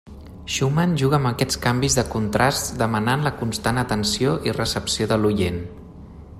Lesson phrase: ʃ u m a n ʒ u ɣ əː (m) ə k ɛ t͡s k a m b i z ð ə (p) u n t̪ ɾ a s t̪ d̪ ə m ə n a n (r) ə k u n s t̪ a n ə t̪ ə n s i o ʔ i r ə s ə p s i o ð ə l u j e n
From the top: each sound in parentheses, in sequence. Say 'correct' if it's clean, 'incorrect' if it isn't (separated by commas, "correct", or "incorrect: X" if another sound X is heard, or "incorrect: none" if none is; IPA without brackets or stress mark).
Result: correct, incorrect: k, incorrect: l